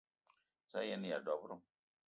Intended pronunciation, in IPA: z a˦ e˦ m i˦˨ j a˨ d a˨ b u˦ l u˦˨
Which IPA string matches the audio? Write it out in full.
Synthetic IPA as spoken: s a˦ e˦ n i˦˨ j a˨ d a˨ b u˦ ɾ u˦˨